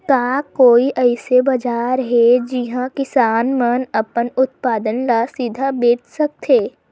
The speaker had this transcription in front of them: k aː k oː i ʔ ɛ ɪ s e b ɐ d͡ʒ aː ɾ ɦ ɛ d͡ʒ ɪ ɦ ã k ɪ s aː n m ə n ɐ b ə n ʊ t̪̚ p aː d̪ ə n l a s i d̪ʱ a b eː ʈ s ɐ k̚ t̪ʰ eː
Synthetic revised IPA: k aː k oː i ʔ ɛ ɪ s e b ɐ d͡ʒ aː ɾ ɦ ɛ d͡ʒ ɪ ɦ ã k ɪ s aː n m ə n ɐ p ə n ʊ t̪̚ p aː d̪ ə n l a s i d̪ʱ a b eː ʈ s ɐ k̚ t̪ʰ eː